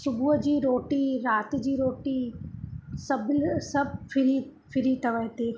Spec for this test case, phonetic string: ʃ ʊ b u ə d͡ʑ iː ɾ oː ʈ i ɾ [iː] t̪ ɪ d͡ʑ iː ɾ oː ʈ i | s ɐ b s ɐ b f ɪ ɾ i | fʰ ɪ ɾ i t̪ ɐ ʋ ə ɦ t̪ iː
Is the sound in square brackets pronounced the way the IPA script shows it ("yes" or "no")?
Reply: no